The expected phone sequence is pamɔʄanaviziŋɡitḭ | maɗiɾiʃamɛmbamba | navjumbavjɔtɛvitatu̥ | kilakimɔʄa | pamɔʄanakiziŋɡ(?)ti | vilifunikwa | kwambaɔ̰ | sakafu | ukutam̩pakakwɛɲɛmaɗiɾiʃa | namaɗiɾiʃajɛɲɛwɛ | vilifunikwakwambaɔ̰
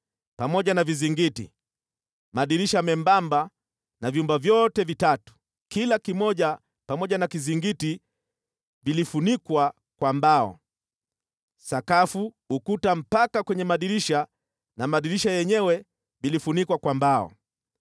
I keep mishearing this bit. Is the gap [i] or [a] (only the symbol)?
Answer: i